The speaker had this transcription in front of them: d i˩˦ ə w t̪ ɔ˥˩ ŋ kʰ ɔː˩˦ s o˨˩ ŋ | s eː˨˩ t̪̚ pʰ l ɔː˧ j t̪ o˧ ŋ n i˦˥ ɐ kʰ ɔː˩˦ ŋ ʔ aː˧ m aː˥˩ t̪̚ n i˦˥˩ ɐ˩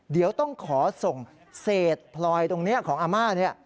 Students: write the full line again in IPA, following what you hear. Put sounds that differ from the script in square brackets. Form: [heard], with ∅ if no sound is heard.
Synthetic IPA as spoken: d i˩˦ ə w t̪ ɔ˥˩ ŋ kʰ ɔː˩˦ s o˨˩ ŋ | s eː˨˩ t̪̚ pʰ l ɔː˧ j t̪ o˧ ŋ n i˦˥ ɐ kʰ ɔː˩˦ ŋ ʔ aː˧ m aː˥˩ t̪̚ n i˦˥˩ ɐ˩